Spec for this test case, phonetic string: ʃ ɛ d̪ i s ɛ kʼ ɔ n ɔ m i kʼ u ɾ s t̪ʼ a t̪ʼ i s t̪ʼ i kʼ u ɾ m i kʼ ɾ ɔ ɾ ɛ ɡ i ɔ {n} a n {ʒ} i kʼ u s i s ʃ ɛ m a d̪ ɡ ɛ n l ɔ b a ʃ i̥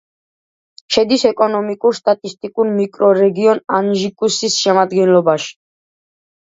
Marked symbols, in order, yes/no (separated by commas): yes, yes